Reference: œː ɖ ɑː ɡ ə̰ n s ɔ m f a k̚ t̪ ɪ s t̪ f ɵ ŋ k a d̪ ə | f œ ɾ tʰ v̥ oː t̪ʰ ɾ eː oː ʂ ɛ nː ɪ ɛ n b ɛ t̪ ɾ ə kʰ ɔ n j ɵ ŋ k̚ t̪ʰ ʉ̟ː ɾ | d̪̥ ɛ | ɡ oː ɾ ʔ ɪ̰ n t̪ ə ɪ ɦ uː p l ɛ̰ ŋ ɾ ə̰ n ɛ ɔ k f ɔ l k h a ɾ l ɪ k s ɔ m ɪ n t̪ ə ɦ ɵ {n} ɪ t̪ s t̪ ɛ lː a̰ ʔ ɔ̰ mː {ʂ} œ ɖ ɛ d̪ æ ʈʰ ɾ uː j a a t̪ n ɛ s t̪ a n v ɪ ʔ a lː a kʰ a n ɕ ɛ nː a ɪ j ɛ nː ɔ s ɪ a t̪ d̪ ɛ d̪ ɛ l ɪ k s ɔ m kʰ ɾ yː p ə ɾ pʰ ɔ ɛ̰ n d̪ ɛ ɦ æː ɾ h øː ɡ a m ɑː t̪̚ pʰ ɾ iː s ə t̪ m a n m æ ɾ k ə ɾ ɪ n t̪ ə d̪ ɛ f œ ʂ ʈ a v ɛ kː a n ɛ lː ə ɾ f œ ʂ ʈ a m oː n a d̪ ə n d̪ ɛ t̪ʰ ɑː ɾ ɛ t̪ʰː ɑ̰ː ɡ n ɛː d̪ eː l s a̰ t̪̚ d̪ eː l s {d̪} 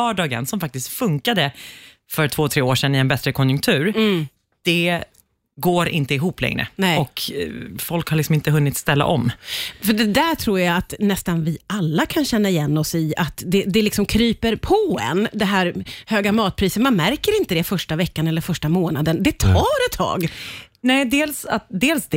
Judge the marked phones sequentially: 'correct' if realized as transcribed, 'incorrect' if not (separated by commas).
incorrect, incorrect, correct